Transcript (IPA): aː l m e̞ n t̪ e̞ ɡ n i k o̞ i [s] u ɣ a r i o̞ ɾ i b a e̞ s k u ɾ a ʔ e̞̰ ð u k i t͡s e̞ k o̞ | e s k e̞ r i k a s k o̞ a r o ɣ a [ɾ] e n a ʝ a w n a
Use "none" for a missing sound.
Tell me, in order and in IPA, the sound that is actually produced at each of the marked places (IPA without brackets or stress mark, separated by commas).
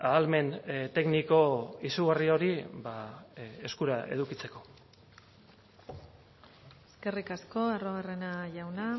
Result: s, r